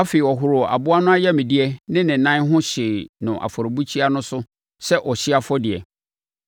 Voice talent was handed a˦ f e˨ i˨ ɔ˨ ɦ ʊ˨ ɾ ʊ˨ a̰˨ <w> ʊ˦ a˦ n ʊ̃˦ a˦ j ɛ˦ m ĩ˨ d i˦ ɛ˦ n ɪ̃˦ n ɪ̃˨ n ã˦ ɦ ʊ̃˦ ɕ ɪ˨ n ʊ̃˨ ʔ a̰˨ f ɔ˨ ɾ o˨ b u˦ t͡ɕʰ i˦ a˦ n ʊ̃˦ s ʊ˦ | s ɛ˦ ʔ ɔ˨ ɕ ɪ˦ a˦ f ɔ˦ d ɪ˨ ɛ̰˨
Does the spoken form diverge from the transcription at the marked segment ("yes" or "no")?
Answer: yes